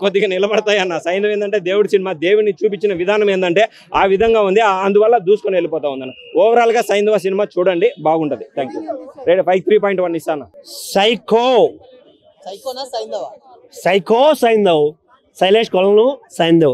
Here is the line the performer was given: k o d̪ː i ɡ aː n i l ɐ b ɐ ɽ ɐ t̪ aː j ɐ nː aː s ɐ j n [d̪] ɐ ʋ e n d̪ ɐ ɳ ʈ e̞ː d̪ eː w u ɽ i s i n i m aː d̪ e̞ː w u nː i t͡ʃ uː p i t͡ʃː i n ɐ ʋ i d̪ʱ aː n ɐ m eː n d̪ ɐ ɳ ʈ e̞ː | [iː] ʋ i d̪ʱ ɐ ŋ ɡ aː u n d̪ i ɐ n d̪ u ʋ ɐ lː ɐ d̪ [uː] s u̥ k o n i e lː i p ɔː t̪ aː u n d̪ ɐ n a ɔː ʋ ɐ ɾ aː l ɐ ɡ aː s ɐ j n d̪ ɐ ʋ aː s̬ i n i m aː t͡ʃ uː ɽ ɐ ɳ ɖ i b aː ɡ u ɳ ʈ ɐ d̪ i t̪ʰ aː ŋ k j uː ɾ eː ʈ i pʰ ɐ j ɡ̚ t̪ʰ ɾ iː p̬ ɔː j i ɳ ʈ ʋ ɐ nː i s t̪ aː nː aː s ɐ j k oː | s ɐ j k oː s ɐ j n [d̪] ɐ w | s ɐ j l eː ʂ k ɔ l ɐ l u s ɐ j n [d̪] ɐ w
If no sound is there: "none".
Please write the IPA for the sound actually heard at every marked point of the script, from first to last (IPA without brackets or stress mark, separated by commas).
d̪, aː, uː, d̪, d̪